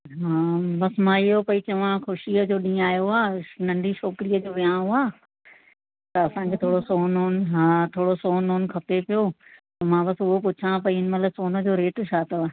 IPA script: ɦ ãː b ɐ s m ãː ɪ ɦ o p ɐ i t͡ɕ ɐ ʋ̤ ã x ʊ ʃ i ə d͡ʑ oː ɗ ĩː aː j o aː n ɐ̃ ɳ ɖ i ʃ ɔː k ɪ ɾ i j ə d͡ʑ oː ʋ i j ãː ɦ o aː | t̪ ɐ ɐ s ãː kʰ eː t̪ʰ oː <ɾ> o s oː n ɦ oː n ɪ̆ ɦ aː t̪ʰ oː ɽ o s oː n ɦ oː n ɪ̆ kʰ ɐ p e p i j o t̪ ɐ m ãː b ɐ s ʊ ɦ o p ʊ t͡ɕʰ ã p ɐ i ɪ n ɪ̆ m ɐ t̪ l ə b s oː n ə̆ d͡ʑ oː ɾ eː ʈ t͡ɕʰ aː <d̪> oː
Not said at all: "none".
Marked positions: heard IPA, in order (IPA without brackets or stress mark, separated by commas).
ɽ, t̪